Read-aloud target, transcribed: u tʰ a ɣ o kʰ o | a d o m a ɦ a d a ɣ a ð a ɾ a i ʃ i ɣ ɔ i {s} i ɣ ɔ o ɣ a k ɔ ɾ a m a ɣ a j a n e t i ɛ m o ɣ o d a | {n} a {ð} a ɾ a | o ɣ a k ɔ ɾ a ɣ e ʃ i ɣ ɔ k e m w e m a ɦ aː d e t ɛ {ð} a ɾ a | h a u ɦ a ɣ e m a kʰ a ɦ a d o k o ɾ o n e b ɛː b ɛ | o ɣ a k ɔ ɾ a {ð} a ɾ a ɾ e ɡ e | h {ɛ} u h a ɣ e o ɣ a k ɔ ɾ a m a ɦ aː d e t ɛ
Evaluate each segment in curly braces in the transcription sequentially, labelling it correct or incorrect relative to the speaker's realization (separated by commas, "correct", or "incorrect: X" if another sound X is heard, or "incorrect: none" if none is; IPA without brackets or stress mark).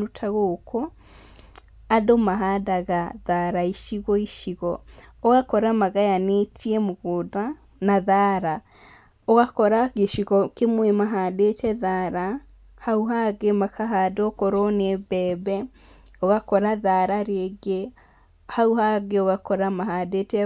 incorrect: ʃ, correct, correct, correct, correct, incorrect: a